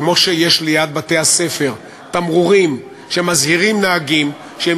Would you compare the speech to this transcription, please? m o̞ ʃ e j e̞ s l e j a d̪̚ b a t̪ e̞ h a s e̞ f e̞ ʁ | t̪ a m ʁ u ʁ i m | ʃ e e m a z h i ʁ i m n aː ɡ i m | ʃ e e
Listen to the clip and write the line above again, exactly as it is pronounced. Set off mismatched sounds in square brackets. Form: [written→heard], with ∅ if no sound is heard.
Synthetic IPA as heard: m o̞ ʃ e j e̞ [s→ʃ] l e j a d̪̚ b a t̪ e̞ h a s e̞ f e̞ ʁ | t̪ a m ʁ u ʁ i m | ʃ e e m a z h i ʁ i m n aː ɡ i m | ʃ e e